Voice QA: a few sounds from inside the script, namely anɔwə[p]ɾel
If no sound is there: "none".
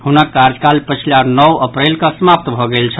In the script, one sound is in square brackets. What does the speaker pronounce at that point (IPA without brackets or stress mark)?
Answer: p